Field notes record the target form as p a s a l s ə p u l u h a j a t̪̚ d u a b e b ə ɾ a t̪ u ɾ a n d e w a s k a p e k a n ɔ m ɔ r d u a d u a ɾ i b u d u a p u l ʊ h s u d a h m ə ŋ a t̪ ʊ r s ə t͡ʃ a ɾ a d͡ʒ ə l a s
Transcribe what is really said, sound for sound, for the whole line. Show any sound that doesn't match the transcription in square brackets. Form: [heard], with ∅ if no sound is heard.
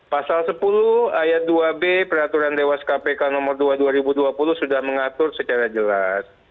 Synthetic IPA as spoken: p a s a l s ə p u l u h a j a t̪̚ d u a b e [p] ə ɾ a t̪ u ɾ a n d e w a s k a p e k a n ɔ m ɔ r d u a d u a ɾ i b u d u a p u l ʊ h s u d a h m ə ŋ a t̪ ʊ r s ə t͡ʃ a ɾ a d͡ʒ ə l a s